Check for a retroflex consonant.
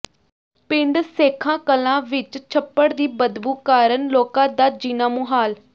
present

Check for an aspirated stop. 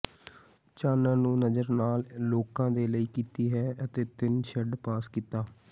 absent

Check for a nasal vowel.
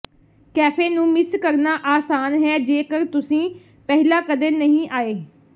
present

